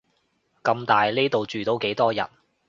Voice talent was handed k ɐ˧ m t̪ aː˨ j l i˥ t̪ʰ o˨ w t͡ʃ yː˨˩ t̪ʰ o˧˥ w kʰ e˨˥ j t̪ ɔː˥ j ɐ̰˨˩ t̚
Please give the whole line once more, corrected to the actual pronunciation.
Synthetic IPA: k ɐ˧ m t̪ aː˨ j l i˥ t̪ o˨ w t͡ʃ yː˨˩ t̪ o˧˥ w k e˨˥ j t̪ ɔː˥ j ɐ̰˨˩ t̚